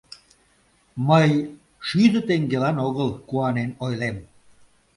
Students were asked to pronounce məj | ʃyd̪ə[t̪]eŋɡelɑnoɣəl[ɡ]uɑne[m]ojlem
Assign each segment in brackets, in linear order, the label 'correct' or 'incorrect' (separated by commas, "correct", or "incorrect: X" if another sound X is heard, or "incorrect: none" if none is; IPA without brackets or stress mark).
correct, incorrect: k, incorrect: n